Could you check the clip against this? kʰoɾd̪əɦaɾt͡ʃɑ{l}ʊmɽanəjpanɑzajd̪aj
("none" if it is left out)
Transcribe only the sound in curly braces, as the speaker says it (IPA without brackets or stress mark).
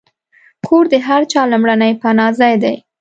l